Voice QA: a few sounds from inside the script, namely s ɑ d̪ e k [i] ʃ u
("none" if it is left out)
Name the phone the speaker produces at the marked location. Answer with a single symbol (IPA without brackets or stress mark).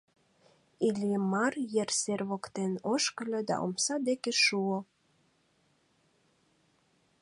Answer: e